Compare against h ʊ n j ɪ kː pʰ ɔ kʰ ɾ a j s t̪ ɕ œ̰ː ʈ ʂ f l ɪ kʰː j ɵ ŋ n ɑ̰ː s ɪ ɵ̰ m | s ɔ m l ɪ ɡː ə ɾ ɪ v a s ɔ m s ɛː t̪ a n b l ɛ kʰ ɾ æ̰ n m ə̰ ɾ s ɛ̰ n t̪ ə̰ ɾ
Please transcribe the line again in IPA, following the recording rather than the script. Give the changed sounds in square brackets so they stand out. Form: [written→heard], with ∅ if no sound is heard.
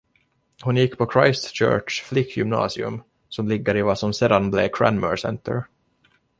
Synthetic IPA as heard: h ʊ n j ɪ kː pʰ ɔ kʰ ɾ a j s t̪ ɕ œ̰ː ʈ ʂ f l ɪ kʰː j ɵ [ŋ→m] n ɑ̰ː s ɪ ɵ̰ m | s ɔ m l ɪ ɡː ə ɾ ɪ v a s ɔ m s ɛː [t̪→d̪] a n b l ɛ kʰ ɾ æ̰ n m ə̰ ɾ s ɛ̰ n t̪ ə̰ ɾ